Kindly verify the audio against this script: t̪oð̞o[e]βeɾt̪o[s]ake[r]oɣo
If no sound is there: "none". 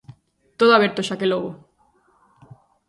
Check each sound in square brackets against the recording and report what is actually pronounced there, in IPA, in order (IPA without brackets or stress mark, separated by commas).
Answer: a, ʃ, l